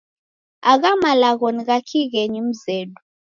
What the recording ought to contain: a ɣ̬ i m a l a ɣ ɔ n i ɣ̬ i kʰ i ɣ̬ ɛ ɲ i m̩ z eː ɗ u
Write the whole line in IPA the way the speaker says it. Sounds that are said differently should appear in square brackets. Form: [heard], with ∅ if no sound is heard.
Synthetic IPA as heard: a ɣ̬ [a] m a l a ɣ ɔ n i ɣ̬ [a] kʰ i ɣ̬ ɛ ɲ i m̩ z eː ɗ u